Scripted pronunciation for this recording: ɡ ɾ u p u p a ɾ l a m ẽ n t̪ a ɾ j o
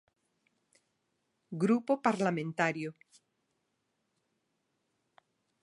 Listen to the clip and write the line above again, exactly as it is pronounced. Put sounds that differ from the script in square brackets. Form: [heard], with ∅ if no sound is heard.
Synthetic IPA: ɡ ɾ u p [o] p a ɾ l a m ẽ n t̪ a ɾ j o